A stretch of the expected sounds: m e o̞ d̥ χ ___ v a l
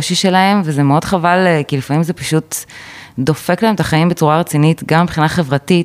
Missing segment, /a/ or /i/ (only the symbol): a